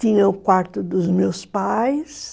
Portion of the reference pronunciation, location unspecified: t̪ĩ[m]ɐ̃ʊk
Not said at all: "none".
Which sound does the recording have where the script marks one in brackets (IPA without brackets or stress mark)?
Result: ɲ